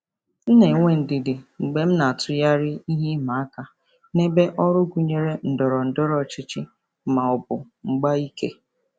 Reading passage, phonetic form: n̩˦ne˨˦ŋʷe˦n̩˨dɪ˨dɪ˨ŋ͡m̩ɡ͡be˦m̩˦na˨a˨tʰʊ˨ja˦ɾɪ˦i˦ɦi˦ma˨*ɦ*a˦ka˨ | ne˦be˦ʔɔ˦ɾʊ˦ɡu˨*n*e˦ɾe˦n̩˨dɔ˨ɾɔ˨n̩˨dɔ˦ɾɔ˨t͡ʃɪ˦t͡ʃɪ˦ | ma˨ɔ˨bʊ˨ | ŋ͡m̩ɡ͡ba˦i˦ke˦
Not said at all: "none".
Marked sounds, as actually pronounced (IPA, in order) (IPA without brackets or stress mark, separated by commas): none, ɲ